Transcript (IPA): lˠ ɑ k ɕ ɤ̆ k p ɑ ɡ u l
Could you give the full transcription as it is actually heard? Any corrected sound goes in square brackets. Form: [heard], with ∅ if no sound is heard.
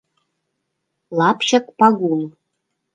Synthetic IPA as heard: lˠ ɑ [p] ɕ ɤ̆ k p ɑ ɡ u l